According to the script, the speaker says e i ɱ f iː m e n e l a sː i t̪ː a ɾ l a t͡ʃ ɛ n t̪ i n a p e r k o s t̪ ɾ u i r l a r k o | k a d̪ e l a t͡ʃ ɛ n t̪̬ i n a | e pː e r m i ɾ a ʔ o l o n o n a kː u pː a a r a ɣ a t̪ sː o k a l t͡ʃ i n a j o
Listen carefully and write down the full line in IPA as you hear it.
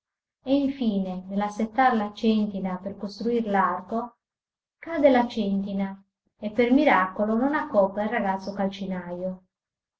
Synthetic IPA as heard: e i ɱ f iː n e n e l a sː e t̪ː a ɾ l a t͡ʃ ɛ n t̪ i n a p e r k o s t̪ ɾ u i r l a r k o | k a d̪ e l a t͡ʃ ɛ n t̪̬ i n a | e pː e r m i ɾ a k o l o n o n a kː ɔ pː a i r a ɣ a t̪ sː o k a l t͡ʃ i n a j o